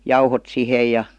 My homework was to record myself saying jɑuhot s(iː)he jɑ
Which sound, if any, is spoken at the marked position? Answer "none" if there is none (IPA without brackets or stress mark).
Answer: i